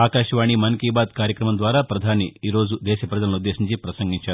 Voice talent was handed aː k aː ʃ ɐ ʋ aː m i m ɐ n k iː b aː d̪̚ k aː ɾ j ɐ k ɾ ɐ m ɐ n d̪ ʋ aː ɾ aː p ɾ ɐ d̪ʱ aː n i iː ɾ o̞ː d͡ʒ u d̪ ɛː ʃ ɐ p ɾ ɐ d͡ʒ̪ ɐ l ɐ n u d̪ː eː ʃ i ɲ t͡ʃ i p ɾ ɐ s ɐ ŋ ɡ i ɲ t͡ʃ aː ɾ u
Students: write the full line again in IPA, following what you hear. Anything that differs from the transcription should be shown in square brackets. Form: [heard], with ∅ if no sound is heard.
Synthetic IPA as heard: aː k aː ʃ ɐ ʋ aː [ɳ] i m ɐ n k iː b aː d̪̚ k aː ɾ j ɐ k ɾ ɐ m ɐ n d̪ ʋ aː ɾ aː p ɾ ɐ d̪ʱ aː n i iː ɾ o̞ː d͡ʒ u d̪ ɛː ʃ ɐ p ɾ ɐ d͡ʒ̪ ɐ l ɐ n u d̪ː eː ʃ i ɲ t͡ʃ i p ɾ ɐ s ɐ ŋ ɡ i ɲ t͡ʃ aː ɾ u